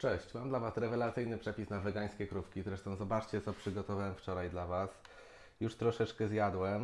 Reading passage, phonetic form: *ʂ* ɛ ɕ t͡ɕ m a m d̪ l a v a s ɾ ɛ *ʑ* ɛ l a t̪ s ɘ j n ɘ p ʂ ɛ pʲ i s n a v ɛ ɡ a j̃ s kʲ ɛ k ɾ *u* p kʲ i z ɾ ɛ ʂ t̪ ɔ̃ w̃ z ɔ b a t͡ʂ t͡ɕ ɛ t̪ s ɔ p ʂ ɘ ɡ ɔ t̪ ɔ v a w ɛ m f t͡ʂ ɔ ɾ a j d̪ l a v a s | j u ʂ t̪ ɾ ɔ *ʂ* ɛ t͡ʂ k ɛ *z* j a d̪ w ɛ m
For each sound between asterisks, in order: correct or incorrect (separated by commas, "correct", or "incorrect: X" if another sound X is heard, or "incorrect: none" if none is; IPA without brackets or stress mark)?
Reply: incorrect: t͡ʂ, incorrect: v, correct, correct, correct